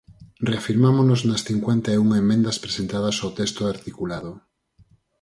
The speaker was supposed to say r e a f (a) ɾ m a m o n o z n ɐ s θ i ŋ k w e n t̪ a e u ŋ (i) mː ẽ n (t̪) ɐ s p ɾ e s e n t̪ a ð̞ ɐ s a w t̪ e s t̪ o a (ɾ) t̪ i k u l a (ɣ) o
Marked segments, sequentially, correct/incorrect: incorrect: i, incorrect: e, incorrect: d̪, correct, incorrect: ð

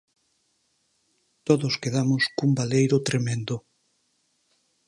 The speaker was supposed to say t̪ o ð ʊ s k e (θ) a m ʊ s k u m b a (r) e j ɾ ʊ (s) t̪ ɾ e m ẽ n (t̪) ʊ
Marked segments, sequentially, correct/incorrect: incorrect: ð, incorrect: l, incorrect: none, incorrect: d̪

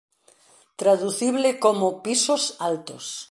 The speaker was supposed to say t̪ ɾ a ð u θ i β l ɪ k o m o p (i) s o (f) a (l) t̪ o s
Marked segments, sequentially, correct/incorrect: correct, incorrect: s, correct

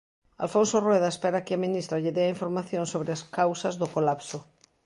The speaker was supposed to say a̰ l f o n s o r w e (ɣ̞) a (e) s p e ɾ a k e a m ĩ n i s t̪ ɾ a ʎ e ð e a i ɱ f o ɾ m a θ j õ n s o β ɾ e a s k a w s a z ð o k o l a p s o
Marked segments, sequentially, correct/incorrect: incorrect: ð̞, correct

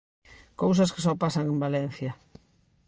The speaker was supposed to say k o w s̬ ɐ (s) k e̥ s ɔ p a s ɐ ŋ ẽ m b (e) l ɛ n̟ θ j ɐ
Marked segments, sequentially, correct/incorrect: correct, incorrect: a

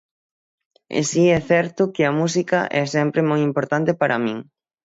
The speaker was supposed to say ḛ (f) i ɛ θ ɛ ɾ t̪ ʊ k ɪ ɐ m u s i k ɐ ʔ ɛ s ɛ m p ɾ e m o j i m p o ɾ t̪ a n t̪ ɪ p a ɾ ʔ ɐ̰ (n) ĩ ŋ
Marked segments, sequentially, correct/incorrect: incorrect: s, incorrect: m

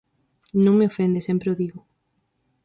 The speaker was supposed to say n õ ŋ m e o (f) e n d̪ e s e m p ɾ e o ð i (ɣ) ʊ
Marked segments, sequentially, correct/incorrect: correct, correct

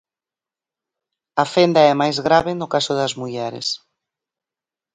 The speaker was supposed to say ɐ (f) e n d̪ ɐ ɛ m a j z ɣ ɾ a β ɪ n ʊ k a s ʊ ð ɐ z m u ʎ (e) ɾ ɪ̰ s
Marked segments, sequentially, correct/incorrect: correct, incorrect: ɛ

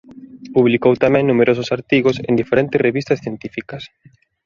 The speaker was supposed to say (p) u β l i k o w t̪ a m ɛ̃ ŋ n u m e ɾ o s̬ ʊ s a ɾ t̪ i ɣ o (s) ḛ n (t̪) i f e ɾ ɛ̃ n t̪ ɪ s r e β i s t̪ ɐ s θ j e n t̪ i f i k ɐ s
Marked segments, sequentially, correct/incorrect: correct, correct, incorrect: d̪

